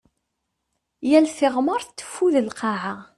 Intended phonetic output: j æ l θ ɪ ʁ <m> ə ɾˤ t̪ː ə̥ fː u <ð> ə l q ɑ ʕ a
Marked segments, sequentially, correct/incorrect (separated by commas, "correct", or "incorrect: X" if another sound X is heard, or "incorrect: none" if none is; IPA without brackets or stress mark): correct, correct